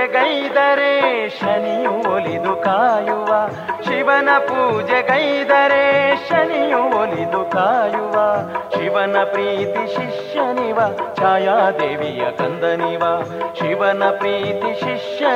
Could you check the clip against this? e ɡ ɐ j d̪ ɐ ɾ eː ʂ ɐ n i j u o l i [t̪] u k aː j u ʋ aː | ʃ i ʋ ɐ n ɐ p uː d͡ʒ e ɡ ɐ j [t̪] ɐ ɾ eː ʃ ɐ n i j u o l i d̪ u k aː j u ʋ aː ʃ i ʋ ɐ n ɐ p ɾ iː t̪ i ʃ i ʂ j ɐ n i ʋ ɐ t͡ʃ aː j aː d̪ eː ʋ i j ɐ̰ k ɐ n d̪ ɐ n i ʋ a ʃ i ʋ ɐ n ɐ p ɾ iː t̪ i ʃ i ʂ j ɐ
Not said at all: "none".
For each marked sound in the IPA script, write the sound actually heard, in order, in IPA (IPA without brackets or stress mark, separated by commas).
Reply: d̪, d̪